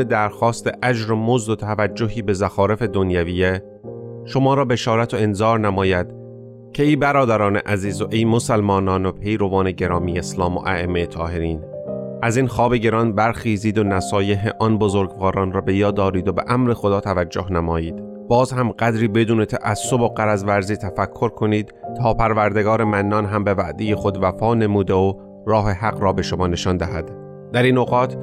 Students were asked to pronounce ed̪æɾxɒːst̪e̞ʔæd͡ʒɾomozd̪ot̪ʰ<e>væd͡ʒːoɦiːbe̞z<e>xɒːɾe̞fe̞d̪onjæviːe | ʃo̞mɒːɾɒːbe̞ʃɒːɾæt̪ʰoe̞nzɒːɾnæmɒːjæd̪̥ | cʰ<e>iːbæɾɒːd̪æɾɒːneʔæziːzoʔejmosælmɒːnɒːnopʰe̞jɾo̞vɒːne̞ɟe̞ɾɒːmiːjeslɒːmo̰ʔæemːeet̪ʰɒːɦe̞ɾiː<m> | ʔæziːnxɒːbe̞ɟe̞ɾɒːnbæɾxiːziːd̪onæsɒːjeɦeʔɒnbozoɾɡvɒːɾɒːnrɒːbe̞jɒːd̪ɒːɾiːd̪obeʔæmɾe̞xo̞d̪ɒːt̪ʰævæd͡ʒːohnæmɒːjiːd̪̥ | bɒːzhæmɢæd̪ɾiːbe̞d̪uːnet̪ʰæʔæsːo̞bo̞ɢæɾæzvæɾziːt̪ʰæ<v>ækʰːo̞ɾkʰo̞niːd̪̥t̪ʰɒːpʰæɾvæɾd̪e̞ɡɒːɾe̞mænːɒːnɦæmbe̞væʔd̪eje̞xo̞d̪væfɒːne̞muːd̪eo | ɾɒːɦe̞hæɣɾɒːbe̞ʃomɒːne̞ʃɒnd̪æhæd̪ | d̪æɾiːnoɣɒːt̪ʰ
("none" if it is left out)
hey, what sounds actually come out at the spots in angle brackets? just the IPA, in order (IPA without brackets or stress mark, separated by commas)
æ, æ, e, n, f